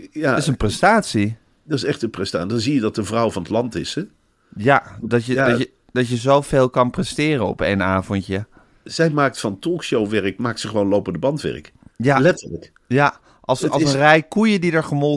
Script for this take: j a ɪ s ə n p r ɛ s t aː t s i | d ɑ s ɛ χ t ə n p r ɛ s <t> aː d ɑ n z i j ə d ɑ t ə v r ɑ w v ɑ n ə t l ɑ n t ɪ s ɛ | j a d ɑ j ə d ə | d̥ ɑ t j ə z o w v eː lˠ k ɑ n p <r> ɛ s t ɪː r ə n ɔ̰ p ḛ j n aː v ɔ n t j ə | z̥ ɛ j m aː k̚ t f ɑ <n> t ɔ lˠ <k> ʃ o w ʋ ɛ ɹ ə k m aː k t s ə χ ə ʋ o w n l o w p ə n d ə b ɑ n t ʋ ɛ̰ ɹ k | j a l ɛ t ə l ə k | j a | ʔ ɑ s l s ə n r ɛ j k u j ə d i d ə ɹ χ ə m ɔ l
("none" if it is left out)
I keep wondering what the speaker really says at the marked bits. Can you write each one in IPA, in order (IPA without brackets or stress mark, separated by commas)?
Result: t, r, n, k